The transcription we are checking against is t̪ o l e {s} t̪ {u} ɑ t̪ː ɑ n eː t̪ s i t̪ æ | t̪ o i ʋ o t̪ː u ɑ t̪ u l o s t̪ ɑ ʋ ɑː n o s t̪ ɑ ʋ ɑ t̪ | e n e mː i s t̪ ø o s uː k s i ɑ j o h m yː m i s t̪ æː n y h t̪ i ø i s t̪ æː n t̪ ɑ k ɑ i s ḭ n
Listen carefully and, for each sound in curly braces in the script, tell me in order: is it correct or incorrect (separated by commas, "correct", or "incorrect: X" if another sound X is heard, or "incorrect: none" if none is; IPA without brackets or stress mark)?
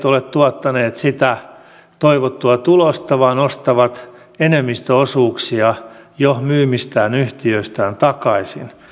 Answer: incorrect: t, correct